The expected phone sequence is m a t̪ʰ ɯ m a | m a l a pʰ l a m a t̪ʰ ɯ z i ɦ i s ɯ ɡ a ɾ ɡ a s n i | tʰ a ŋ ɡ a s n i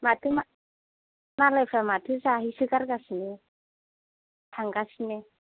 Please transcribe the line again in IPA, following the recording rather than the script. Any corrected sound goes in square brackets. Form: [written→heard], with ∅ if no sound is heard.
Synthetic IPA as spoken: m a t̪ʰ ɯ m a | m a l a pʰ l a m a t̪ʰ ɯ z [i→a] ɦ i s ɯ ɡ a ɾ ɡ a s n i | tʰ a ŋ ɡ a s n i